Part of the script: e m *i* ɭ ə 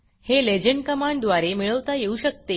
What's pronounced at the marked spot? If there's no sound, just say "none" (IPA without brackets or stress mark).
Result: i